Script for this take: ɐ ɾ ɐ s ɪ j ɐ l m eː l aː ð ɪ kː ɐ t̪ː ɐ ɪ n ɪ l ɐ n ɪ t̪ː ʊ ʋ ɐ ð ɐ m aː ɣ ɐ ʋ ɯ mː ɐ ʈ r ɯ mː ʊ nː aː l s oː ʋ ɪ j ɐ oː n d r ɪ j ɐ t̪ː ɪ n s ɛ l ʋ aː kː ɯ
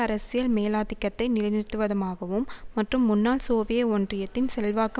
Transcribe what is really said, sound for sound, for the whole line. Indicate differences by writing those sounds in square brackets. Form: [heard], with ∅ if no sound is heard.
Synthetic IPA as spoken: ɐ ɾ ɐ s ɪ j ɐ l m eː l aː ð ɪ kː ɐ t̪ː ɐ ɪ n ɪ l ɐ n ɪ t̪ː [ɯ] ʋ ɐ ð ɐ m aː ɣ ɐ ʋ ɯ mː ɐ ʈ r ɯ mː ʊ nː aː l s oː ʋ ɪ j ɐ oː n d r ɪ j ɐ t̪ː ɪ n s ɛ l ʋ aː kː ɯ